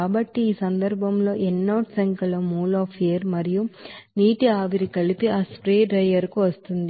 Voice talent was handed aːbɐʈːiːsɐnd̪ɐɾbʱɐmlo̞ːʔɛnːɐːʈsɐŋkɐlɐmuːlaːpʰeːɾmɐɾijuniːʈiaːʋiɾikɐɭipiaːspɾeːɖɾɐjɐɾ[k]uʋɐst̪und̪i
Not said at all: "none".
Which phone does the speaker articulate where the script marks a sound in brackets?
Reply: k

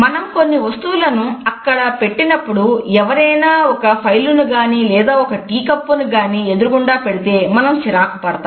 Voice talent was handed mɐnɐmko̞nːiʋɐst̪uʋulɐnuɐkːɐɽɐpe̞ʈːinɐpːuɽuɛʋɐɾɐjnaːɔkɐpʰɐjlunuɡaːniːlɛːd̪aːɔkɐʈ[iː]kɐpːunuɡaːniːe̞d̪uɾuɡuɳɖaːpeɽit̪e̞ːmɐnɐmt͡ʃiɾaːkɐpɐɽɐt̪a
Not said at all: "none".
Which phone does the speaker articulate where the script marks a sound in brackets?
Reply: iː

